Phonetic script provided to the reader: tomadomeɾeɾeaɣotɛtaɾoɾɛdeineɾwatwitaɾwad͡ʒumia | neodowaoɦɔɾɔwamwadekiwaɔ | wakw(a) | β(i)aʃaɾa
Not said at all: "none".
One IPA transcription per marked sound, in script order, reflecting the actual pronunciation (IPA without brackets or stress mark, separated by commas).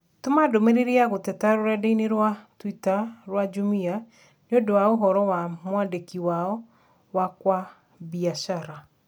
a, i